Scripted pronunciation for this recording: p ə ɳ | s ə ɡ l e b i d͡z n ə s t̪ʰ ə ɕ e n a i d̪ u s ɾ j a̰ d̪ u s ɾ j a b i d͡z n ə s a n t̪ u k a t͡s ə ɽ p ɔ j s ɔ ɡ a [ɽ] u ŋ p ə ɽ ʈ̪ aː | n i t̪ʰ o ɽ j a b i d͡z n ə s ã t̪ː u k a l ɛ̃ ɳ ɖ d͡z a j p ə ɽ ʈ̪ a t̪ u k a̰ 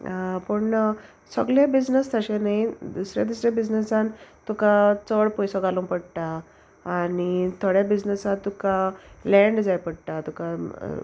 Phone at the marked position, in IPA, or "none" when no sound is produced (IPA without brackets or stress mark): l